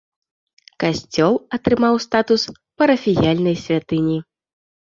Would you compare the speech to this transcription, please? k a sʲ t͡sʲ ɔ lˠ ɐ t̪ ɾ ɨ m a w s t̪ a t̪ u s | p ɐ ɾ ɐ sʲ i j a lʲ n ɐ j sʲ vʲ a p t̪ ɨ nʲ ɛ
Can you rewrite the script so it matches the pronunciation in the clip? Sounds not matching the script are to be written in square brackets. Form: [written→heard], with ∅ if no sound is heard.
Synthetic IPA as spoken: k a sʲ t͡sʲ ɔ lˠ ɐ t̪ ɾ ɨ m a w s t̪ a t̪ u s | p ɐ ɾ ɐ [sʲ→fʲ] i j a lʲ n ɐ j sʲ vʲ a [p→∅] t̪ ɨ nʲ [ɛ→i]